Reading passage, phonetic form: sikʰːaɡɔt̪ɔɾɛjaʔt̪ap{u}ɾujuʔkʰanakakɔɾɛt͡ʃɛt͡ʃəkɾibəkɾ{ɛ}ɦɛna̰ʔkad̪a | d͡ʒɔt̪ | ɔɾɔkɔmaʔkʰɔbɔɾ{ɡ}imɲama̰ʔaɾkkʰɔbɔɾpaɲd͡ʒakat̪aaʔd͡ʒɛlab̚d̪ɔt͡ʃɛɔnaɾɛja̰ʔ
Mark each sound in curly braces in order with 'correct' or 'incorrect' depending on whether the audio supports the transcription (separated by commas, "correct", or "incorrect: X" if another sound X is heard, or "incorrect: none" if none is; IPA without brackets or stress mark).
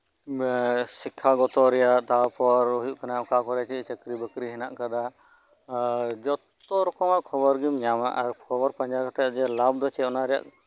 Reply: incorrect: ɔ, incorrect: i, correct